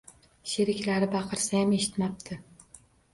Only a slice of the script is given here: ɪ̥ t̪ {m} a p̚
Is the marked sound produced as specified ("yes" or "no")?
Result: yes